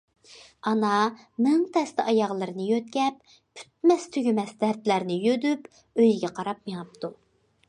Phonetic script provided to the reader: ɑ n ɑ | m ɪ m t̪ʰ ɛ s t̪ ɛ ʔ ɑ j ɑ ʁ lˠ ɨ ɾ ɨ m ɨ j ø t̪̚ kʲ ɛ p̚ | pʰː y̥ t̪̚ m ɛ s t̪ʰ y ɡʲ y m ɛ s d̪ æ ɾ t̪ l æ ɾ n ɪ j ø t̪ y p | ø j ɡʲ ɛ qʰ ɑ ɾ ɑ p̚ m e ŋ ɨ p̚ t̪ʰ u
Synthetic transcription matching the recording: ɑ n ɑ | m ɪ ŋ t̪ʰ ɛ s t̪ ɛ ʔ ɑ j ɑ ʁ lˠ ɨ ɾ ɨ n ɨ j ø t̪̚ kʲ ɛ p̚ | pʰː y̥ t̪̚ m ɛ s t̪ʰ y ɡʲ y m ɛ s d̪ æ ɾ t̪ l æ ɾ n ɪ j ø d̪ y p | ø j ɡʲ ɛ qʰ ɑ ɾ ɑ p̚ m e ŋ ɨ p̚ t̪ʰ u